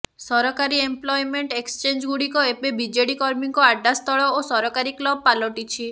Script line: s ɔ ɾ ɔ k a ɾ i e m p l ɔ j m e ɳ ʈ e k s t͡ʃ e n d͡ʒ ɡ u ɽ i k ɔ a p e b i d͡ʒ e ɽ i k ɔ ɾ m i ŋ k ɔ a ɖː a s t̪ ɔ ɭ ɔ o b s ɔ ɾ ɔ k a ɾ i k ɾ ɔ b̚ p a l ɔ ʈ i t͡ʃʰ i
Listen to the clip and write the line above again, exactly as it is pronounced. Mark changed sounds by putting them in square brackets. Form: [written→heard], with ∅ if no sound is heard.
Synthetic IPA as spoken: s ɔ ɾ ɔ k a ɾ i e m p l ɔ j m e ɳ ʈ e k s t͡ʃ e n d͡ʒ ɡ u ɽ i k ɔ [a→e] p e b i d͡ʒ e ɽ i k ɔ ɾ m i ŋ k ɔ a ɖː a s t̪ ɔ ɭ ɔ o [b→∅] s ɔ ɾ ɔ k a ɾ i k [ɾ→l] ɔ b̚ p a l ɔ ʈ i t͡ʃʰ i